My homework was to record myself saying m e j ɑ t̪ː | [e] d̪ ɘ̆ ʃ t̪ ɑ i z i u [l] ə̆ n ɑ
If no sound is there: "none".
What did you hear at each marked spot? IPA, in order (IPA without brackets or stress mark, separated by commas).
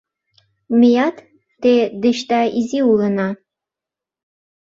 e, l